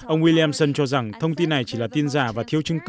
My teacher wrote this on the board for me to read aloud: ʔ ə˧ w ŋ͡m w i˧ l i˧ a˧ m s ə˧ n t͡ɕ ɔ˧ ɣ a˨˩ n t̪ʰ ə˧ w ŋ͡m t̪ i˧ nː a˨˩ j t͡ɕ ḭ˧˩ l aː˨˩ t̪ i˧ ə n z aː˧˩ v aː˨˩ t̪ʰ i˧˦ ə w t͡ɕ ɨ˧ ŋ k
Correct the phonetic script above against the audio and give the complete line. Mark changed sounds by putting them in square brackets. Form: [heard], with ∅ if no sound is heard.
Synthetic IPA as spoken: ʔ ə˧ w ŋ͡m w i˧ l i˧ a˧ m s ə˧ n t͡ɕ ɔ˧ [z] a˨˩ [ŋ] t̪ʰ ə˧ w ŋ͡m t̪ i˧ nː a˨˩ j t͡ɕ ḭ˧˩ l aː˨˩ t̪ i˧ ə n z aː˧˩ v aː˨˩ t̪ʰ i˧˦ ə w t͡ɕ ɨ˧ ŋ k